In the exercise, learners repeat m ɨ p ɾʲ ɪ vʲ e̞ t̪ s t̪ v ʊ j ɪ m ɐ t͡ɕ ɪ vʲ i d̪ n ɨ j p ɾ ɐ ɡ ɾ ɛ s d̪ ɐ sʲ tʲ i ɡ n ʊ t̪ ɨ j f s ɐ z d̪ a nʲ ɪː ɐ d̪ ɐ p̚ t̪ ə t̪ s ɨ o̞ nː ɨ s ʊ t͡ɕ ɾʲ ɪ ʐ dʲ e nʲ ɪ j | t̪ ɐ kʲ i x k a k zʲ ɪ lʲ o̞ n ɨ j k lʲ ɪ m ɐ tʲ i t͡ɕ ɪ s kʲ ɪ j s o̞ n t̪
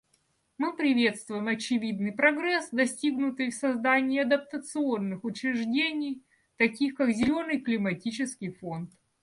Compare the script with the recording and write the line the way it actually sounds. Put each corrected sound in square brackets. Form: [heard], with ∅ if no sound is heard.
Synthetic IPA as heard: m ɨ p ɾʲ ɪ vʲ e̞ t̪ s t̪ v ʊ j ɪ m ɐ t͡ɕ ɪ vʲ i d̪ n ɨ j p ɾ ɐ ɡ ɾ ɛ s d̪ ɐ sʲ tʲ i ɡ n ʊ t̪ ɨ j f s ɐ z d̪ a nʲ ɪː ɐ d̪ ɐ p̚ t̪ ə t̪ s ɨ o̞ nː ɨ [x] ʊ t͡ɕ ɾʲ ɪ ʐ dʲ e nʲ ɪ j | t̪ ɐ kʲ i x k a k zʲ ɪ lʲ o̞ n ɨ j k lʲ ɪ m ɐ tʲ i t͡ɕ ɪ s kʲ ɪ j [f] o̞ n t̪